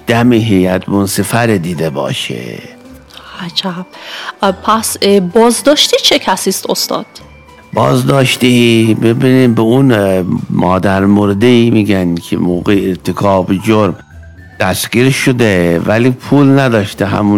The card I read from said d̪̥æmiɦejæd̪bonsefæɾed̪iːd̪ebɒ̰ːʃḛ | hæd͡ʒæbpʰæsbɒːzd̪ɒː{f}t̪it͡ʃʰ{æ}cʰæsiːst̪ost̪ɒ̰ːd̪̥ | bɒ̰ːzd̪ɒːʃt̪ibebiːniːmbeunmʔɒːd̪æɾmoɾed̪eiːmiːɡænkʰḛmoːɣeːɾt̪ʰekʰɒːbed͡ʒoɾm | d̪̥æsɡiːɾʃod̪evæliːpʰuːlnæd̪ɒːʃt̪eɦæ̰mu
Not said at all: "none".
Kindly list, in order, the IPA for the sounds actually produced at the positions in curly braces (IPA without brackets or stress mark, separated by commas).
ʃ, e